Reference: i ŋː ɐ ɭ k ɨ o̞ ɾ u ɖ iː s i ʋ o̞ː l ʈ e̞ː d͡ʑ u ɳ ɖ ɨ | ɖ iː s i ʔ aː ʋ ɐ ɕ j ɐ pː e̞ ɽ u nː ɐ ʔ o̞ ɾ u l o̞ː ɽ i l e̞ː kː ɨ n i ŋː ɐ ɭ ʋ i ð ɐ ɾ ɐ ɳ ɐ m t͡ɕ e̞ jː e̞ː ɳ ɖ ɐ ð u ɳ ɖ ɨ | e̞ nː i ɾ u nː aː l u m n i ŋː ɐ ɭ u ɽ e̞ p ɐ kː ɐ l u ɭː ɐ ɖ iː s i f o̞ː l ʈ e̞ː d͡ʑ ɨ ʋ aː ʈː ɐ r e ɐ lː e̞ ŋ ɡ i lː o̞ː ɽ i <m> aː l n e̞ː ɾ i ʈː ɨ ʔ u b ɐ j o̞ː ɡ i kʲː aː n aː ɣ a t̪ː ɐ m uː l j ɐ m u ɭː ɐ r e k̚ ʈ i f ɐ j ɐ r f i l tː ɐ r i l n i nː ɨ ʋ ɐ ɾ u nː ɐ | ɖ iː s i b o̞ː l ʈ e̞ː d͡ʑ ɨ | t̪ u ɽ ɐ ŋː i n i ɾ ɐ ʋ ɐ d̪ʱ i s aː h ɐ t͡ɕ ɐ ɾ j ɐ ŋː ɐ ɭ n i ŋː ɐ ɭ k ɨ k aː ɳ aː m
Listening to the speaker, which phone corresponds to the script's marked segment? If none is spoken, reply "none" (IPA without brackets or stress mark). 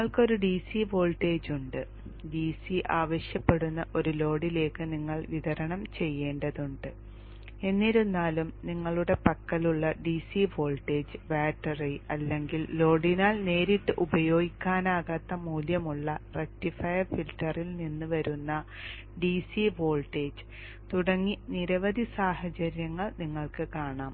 n